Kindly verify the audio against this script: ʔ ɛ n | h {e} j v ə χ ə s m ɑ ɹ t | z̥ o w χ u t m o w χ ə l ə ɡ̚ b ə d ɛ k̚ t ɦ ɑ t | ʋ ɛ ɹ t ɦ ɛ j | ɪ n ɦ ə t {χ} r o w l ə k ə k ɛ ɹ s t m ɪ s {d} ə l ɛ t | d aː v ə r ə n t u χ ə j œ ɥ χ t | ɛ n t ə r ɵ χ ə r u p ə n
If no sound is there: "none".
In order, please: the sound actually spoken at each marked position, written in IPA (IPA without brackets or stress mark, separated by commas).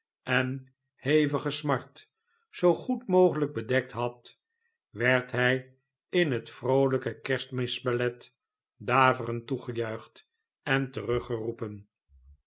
e, f, b